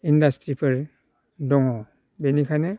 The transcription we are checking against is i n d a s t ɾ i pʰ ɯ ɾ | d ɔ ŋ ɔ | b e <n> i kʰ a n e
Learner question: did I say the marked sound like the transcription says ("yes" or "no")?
yes